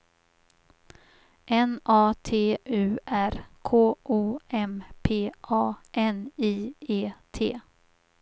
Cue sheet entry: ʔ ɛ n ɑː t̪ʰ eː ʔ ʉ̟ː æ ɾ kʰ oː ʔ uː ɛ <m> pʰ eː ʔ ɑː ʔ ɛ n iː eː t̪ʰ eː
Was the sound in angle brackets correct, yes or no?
yes